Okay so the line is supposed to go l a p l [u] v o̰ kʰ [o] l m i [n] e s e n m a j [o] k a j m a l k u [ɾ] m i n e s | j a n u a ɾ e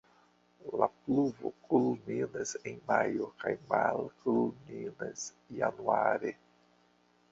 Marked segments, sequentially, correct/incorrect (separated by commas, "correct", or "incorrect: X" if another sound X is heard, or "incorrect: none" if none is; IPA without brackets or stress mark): correct, incorrect: u, correct, correct, incorrect: l